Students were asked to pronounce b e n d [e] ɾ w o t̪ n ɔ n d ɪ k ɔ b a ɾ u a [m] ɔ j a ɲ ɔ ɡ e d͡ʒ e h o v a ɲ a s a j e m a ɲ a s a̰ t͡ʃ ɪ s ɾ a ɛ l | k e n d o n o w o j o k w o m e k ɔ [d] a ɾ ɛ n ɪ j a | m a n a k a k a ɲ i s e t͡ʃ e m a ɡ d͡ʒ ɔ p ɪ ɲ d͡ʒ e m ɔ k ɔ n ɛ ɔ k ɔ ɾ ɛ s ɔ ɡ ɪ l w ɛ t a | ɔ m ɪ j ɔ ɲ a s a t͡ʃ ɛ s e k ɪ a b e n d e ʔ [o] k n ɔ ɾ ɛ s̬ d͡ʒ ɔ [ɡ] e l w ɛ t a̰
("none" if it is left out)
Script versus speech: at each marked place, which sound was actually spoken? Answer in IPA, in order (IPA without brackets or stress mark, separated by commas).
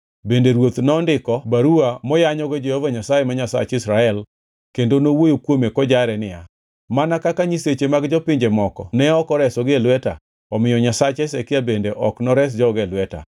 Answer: e, m, d͡ʒ, ɔ, ɡ